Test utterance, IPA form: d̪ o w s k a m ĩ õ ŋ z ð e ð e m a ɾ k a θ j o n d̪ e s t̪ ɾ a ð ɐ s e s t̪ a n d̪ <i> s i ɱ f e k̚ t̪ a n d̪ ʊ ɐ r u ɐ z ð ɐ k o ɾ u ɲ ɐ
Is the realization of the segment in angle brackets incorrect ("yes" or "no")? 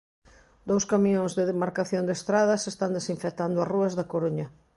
yes